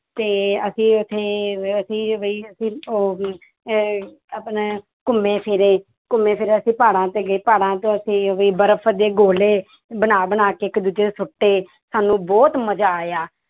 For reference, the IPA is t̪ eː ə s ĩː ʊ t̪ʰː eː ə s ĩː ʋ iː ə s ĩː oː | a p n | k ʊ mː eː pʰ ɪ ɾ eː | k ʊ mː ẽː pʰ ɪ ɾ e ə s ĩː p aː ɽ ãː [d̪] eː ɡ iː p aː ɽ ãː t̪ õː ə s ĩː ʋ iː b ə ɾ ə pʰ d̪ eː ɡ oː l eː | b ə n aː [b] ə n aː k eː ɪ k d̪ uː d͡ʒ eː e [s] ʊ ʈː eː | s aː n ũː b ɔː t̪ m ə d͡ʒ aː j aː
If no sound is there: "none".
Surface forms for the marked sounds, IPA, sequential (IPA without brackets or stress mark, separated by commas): t̪, b, s